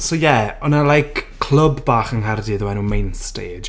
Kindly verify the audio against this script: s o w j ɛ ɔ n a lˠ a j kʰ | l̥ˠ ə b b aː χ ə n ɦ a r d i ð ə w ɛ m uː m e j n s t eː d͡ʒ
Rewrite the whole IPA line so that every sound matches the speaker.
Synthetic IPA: s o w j ɛ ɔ n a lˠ a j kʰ | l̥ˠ ə b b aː χ ə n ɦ a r d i ð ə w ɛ n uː m e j n s t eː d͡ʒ

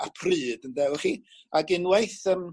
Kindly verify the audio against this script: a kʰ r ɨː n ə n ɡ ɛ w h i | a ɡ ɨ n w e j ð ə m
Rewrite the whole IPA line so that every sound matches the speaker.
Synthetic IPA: a pʰ r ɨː d ə n d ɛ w χ i | a ɡ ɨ n w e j θ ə m

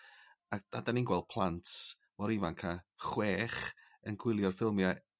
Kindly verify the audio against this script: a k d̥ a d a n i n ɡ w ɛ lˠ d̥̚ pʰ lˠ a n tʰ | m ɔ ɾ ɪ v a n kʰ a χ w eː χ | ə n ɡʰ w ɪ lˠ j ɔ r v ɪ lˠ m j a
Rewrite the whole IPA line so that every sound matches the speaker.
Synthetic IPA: a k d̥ a d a n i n ɡ w ɛ lˠ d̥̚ pʰ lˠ a n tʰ | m ɔ ɾ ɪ v a n kʰ a χ w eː χ | ə n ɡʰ w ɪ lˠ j ɔ r f ɪ lˠ m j a

